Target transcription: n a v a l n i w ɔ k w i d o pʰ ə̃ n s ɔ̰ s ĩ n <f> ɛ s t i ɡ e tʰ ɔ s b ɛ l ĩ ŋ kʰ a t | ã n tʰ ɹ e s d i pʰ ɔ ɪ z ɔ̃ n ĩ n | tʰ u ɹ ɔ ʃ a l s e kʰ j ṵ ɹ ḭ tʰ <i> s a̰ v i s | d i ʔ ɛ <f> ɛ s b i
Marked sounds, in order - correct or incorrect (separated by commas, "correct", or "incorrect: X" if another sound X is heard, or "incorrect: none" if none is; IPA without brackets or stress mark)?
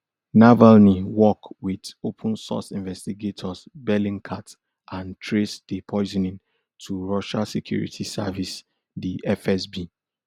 incorrect: v, correct, correct